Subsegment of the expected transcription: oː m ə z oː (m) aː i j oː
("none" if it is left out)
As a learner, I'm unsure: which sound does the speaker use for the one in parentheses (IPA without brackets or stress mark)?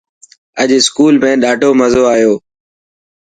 none